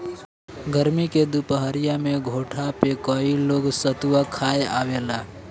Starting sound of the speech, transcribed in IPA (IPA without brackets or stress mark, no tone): ɡ